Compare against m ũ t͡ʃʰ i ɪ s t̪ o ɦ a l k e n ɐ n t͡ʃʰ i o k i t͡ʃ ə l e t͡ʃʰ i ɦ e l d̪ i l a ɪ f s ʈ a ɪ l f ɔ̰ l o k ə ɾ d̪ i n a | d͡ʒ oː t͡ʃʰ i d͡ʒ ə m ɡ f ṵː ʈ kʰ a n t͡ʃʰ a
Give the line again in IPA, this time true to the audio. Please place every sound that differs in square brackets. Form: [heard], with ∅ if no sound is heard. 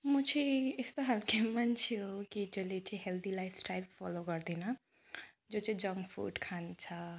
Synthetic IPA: m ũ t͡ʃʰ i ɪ s t̪ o ɦ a l k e [m] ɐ n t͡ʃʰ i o k i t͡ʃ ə l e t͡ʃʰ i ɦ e l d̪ i l a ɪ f s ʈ a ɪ l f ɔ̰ l o k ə ɾ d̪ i n a | d͡ʒ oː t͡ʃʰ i d͡ʒ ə [ŋ] ɡ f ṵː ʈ kʰ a n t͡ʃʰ a